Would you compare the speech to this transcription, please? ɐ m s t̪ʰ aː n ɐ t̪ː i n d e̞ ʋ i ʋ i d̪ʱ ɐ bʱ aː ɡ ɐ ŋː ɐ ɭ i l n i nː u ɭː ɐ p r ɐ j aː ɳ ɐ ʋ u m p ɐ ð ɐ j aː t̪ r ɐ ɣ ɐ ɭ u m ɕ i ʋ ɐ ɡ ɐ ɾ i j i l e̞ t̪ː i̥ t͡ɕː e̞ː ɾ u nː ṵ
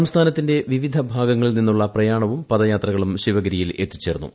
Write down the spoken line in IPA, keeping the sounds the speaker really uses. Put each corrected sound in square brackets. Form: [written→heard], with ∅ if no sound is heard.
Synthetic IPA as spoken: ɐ m s t̪ʰ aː n ɐ t̪ː i n d e̞ ʋ i ʋ i d̪ʱ ɐ bʱ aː ɡ ɐ ŋː ɐ ɭ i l n i nː u ɭː ɐ p r ɐ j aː ɳ ɐ ʋ u m p ɐ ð ɐ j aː t̪ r ɐ ɣ ɐ ɭ u m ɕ i ʋ ɐ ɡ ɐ ɾ i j i l e̞ t̪ː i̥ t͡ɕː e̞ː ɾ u nː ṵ